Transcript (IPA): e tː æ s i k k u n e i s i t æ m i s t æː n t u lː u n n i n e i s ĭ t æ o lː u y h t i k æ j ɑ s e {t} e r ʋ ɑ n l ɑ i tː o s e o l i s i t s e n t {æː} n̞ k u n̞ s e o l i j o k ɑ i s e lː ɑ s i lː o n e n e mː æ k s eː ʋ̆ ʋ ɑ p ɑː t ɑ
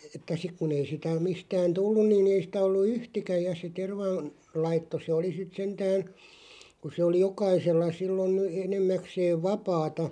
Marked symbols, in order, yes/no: yes, yes

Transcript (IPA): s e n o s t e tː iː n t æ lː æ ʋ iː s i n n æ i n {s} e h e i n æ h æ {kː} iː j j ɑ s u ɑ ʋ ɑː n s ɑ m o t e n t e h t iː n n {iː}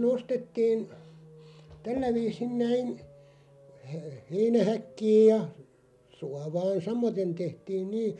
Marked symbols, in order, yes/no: no, yes, yes

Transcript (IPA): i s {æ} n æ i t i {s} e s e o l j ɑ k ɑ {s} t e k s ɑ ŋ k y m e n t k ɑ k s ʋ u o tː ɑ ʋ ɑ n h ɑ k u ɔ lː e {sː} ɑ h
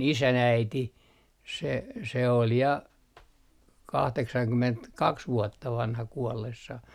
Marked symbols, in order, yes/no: yes, yes, no, yes

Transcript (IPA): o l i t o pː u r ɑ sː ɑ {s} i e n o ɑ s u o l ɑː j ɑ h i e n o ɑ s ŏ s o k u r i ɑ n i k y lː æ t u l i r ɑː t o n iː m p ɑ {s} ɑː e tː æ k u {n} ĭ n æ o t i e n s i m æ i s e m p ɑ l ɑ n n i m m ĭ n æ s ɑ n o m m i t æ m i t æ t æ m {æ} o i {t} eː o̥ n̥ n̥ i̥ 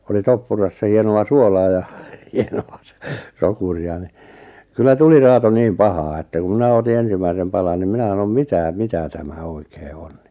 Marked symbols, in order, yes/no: no, no, no, yes, no

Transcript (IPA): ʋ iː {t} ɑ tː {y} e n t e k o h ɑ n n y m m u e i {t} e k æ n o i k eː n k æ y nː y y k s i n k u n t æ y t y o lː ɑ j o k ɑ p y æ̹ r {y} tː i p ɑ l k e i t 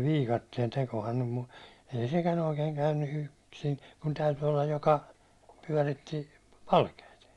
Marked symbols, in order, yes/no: no, no, no, no

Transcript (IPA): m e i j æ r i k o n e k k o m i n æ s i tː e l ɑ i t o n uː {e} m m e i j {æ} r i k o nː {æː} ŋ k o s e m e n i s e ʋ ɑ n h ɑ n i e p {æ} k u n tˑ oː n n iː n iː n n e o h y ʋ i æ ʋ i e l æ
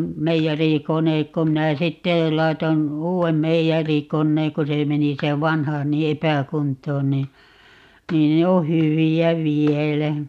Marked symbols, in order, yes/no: yes, yes, no, yes

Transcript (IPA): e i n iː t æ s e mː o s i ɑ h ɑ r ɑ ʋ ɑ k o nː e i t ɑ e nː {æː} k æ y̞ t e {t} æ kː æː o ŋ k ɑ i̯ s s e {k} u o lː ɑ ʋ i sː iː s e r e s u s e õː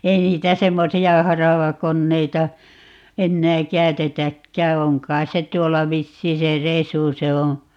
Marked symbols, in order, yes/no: yes, yes, no

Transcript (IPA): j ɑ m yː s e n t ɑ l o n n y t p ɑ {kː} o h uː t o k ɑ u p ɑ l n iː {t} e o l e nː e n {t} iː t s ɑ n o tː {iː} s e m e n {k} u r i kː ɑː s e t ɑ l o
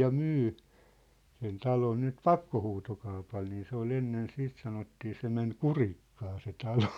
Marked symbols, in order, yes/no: yes, no, no, yes, yes

